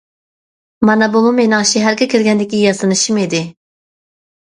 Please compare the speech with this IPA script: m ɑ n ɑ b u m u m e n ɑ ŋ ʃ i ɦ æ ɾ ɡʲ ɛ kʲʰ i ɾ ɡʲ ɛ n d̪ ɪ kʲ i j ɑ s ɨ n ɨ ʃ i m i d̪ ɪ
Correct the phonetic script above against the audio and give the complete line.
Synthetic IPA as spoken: m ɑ n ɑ b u m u m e n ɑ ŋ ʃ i ɦ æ ɾ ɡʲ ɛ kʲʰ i ɾ ɡʲ ɛ n d̪ ɪ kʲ i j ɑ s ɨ n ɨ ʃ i m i d̪ ɪ